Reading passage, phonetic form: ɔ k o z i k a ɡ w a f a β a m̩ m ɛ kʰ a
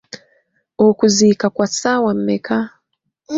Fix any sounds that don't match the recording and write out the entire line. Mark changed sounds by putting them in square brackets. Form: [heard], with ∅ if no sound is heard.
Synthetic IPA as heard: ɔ k [u] z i k a [k] w a [s] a [w] a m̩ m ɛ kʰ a